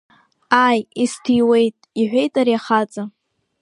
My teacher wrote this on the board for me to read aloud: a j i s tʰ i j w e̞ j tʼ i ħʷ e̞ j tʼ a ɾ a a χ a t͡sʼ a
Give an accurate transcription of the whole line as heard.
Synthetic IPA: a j i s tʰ i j w e̞ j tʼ i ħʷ e̞ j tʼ a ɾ i a χ a t͡sʼ a